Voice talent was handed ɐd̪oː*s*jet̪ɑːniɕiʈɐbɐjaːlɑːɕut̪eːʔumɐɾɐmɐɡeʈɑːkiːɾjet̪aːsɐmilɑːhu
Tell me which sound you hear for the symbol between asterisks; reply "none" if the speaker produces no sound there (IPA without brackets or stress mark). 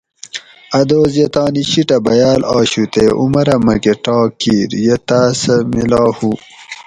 z